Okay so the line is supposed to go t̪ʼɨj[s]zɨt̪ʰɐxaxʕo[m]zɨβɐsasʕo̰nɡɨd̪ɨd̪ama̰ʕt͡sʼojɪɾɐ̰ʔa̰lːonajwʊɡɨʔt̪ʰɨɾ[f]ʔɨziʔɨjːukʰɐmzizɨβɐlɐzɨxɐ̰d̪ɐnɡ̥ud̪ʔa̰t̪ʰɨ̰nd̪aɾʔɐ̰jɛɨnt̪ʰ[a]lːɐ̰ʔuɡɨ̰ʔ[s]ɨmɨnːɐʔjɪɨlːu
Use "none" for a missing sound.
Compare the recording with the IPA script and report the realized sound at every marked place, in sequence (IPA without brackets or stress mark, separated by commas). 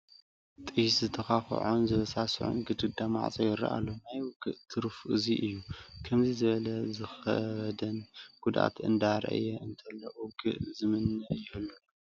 s, n, f, ɐ, z